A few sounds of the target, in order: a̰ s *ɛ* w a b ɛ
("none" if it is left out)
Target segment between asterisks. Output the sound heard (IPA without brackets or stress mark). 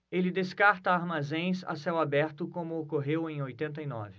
ɛ